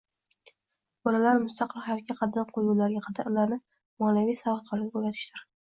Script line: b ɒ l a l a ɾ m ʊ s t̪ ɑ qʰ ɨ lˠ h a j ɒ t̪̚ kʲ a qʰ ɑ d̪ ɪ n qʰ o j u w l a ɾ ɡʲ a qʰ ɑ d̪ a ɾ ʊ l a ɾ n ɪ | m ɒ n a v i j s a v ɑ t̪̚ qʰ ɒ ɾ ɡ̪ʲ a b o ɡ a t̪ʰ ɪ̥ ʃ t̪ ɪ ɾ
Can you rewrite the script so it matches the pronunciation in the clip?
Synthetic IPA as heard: b ɒ l a l a ɾ m ʊ s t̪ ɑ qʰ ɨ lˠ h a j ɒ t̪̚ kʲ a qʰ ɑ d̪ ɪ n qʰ o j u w l a ɾ ɡʲ a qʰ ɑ d̪ a ɾ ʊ l a ɾ n ɪ | m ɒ n a v i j s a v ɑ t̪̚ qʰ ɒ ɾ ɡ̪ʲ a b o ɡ a t̪ʰ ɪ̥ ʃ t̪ ɪ ɾ